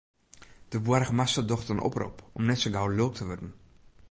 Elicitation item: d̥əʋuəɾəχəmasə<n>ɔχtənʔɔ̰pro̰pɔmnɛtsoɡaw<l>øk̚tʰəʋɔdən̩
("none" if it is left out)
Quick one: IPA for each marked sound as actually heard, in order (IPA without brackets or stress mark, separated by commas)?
d, l